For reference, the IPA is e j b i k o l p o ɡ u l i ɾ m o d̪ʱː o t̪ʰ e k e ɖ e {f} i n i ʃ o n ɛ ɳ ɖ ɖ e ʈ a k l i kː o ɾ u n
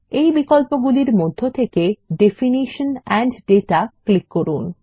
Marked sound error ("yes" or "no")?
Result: no